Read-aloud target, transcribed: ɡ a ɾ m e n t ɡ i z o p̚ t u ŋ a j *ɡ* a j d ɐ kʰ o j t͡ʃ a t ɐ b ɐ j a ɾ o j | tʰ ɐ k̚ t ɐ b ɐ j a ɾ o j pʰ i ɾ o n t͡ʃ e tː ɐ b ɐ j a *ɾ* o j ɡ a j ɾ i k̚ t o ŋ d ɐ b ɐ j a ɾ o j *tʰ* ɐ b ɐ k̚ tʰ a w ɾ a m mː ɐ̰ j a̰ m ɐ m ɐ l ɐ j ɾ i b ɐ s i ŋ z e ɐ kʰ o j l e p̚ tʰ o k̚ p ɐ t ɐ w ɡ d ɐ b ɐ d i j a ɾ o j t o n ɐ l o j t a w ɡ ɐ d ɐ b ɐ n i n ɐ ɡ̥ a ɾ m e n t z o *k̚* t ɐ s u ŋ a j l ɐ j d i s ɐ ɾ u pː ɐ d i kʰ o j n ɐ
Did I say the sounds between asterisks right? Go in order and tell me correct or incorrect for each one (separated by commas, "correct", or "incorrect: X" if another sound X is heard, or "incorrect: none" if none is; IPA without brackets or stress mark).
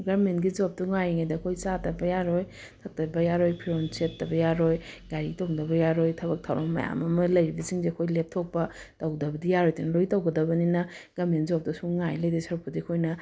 incorrect: ŋ, correct, correct, incorrect: p̚